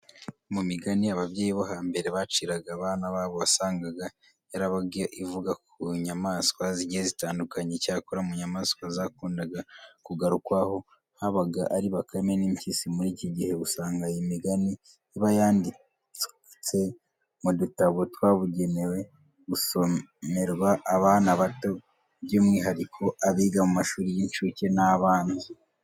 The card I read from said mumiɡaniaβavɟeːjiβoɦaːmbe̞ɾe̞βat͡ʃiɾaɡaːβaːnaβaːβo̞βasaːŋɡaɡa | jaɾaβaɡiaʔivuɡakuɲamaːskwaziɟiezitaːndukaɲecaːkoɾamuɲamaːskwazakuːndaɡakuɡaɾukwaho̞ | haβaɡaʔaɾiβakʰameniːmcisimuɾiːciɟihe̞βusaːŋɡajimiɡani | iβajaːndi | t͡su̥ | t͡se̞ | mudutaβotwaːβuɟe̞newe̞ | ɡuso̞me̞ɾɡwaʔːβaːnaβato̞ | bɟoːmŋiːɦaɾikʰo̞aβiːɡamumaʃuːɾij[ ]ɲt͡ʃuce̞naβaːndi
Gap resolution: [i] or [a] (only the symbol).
i